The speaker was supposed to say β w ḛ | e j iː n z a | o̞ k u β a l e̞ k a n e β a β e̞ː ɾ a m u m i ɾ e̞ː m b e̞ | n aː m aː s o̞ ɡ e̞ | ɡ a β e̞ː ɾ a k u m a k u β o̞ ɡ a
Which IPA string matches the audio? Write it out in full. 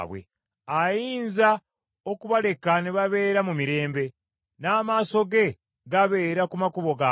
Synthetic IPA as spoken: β w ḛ | a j iː n z a | o̞ k u β a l e̞ k a n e β a β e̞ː ɾ a m u m i ɾ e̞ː m b e̞ | n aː m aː s o̞ ɡ e̞ | ɡ a β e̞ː ɾ a k u m a k u β o̞ ɡ a